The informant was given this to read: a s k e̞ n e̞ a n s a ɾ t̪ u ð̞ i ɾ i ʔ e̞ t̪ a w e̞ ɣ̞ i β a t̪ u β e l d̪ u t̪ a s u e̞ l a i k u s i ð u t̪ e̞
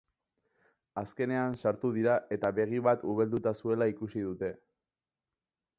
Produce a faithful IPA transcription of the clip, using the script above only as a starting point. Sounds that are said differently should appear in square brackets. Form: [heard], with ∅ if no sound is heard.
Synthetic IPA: a s k e̞ n e̞ a n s a ɾ t̪ u ð̞ i ɾ [a] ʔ e̞ t̪ a [β] e̞ ɣ̞ i β a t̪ u β e l d̪ u t̪ a s u e̞ l a i k u s i ð u t̪ e̞